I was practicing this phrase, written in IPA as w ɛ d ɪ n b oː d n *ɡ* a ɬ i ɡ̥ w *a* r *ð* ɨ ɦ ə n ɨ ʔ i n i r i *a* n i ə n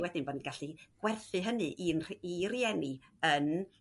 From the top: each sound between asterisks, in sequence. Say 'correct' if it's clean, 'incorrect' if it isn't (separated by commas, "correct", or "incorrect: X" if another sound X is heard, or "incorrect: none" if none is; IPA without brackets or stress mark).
correct, incorrect: ɛ, incorrect: θ, incorrect: ɛ